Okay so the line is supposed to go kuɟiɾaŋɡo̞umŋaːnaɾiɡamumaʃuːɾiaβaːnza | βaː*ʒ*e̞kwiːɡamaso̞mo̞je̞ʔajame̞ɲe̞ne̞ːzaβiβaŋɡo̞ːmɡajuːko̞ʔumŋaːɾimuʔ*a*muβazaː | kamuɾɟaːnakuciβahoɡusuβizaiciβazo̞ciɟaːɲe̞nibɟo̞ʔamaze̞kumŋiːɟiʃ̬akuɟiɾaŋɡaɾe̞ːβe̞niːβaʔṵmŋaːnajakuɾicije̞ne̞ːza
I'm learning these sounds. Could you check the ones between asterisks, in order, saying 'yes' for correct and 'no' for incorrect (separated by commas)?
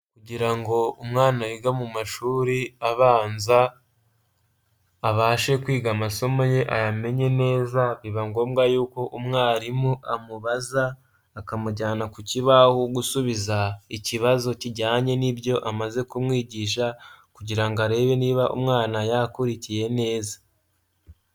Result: no, yes